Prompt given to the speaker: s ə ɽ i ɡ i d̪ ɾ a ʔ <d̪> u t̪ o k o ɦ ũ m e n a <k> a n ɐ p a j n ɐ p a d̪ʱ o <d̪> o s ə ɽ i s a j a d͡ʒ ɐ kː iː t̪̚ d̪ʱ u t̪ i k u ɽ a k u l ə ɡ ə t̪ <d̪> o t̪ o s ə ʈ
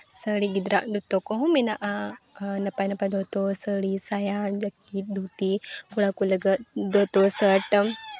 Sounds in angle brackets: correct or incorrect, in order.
correct, incorrect: ʔ, incorrect: t̪, correct

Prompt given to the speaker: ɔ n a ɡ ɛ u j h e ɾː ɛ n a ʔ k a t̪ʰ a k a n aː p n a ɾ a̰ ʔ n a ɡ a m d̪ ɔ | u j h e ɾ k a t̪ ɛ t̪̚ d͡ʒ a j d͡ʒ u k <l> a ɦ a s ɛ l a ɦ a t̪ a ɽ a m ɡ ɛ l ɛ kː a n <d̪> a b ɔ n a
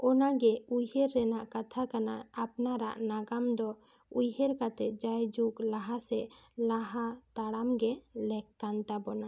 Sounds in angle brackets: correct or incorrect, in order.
correct, incorrect: t̪

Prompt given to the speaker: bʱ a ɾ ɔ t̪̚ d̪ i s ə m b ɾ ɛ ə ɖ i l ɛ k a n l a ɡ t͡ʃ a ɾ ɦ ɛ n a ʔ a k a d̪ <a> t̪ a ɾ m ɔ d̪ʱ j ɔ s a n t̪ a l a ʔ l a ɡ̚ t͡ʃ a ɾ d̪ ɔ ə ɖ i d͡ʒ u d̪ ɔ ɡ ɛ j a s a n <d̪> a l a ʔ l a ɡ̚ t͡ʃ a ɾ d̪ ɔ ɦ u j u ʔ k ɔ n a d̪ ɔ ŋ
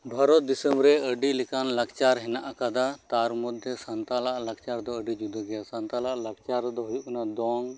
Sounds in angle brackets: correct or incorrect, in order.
correct, incorrect: t̪

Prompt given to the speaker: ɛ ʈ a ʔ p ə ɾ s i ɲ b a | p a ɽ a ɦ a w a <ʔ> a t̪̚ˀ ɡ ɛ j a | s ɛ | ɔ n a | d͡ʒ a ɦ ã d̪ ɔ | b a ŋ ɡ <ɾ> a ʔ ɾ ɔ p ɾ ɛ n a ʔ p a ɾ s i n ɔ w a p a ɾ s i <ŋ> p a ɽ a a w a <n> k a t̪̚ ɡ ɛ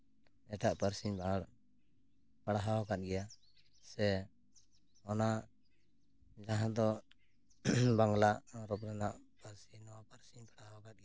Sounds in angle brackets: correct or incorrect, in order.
incorrect: k, incorrect: l, incorrect: ɲ, incorrect: none

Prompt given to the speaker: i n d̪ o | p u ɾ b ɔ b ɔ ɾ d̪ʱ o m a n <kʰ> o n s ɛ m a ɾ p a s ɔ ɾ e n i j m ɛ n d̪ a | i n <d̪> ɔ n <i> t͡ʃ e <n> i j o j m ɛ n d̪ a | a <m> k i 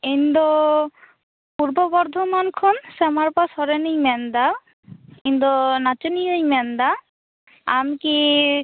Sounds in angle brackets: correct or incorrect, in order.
correct, correct, incorrect: a, correct, correct

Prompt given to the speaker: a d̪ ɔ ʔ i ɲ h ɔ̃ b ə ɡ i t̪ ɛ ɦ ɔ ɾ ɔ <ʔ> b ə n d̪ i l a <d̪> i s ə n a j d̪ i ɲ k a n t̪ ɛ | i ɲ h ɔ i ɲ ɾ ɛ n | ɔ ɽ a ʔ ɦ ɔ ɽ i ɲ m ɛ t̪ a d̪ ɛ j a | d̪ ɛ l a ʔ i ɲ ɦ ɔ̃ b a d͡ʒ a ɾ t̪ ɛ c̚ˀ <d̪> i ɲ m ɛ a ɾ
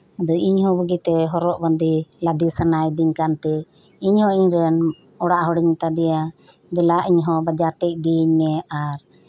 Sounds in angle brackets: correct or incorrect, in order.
correct, correct, correct

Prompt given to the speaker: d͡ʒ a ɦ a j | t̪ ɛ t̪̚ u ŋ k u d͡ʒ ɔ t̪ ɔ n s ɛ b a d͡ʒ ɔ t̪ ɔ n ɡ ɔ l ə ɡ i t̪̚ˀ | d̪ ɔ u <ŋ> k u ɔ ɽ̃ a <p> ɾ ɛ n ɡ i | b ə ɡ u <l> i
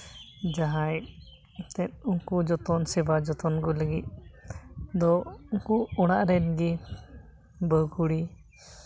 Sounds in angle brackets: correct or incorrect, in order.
correct, incorrect: ʔ, incorrect: ɽ

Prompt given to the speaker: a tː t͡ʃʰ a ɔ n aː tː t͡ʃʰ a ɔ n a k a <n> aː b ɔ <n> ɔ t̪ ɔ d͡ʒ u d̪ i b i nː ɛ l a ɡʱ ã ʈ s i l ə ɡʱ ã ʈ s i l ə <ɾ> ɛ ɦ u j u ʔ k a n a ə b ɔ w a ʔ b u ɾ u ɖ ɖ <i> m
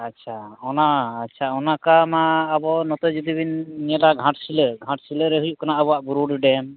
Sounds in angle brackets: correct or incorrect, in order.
incorrect: m, correct, correct, incorrect: ɛ

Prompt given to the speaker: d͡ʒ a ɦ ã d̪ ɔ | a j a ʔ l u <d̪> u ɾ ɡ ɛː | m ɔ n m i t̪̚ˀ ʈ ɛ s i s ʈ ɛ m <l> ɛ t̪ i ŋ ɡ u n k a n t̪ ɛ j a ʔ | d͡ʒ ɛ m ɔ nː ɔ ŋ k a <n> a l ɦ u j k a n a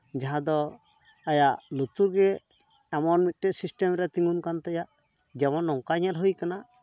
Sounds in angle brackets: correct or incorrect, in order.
incorrect: t̪, incorrect: ɾ, incorrect: ɲ

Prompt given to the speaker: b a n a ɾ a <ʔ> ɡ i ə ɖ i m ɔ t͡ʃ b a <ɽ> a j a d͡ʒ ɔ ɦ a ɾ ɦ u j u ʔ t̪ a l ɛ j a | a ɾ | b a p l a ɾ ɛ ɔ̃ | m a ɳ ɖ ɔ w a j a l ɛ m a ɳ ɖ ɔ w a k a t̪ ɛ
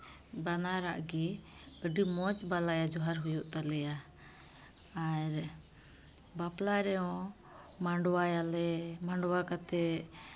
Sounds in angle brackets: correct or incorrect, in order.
correct, incorrect: l

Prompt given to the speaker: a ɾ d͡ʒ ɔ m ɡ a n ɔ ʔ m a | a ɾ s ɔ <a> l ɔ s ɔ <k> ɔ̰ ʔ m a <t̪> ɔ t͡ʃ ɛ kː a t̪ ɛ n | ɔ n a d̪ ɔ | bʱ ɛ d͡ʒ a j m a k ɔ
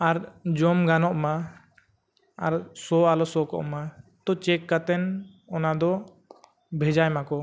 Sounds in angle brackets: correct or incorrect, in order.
correct, correct, correct

